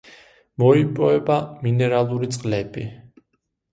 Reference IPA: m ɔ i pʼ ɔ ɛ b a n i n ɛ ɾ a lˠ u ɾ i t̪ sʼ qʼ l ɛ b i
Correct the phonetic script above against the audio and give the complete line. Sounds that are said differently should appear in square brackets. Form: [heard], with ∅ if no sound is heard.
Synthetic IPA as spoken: m ɔ i pʼ ɔ ɛ b a [m] i n ɛ ɾ a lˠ u ɾ i t̪ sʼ qʼ l ɛ b i